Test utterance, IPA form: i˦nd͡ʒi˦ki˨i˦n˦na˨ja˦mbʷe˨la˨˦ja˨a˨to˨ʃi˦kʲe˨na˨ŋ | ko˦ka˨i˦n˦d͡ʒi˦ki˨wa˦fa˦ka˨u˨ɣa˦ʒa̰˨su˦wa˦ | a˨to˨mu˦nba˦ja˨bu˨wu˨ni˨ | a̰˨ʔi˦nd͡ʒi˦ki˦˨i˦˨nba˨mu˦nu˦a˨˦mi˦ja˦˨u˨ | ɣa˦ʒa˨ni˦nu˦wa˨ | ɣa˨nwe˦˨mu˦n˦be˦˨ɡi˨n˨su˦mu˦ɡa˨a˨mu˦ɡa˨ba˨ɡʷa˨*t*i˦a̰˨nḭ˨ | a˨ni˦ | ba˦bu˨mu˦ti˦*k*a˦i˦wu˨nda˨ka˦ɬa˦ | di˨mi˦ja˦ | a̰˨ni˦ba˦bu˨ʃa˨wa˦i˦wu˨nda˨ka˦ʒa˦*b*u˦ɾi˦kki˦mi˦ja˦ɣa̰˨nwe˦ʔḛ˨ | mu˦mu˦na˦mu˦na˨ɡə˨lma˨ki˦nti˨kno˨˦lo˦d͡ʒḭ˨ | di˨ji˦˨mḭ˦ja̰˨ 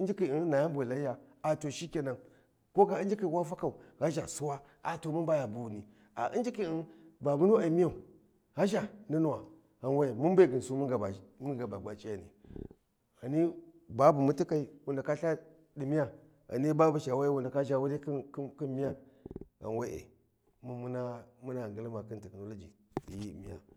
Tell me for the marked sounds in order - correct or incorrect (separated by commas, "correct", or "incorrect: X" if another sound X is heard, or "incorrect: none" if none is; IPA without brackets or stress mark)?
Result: incorrect: t͡ʃ, correct, incorrect: w